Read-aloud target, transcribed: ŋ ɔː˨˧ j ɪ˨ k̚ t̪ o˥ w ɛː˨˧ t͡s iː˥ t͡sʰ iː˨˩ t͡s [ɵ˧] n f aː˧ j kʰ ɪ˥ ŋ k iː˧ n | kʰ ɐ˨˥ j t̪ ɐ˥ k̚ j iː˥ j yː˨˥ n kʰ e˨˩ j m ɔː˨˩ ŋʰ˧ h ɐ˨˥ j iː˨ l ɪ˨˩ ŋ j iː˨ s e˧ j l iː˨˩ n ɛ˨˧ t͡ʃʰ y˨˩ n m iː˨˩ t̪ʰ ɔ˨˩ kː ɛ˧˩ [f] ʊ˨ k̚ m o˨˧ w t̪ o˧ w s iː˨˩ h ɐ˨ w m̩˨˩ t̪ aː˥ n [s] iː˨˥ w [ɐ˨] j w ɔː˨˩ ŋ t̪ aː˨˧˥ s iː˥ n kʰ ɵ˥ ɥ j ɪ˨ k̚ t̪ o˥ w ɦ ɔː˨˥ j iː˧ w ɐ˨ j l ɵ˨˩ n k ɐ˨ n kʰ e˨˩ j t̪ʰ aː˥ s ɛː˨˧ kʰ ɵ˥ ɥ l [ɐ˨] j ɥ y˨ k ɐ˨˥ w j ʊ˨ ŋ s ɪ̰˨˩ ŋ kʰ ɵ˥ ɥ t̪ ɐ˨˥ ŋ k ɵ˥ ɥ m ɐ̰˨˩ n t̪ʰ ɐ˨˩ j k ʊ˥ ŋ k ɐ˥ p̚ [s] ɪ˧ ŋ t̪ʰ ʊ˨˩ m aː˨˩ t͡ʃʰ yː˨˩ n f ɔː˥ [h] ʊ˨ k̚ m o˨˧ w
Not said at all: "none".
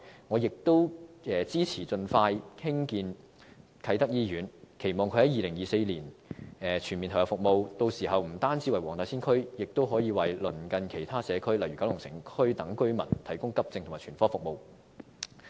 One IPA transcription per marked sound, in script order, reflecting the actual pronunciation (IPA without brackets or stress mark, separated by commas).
ɵ˧, f, t͡s, ɐ˨, ɐ˨, t͡s, f